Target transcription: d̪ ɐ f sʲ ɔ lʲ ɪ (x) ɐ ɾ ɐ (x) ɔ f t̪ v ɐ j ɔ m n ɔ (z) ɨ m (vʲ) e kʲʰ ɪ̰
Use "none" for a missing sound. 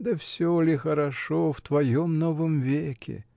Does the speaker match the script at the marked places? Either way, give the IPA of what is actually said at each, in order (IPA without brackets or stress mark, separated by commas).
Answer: x, ʂ, v, vʲ